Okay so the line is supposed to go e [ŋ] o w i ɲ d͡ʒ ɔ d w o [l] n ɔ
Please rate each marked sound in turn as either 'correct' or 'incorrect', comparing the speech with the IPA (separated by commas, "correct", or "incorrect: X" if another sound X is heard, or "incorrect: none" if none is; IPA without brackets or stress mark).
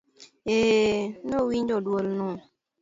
incorrect: n, correct